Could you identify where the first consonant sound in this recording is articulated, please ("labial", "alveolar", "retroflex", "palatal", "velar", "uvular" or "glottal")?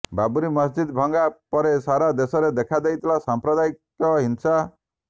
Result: labial